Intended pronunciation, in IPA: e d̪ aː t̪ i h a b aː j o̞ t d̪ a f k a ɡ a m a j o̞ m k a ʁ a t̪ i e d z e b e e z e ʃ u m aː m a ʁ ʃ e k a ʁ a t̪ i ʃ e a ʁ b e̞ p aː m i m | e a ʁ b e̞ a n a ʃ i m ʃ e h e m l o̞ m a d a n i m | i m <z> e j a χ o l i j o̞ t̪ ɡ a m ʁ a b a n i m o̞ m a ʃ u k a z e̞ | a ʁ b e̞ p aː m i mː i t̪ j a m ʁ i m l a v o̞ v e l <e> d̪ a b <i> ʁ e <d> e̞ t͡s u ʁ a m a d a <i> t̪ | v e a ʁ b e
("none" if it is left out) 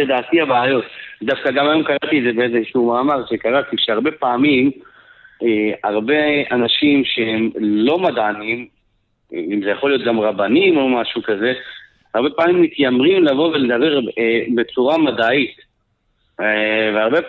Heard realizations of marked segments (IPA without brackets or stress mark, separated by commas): z, e, e, b, i